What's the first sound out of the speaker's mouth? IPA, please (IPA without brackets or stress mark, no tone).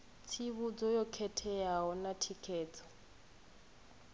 t͡sʰ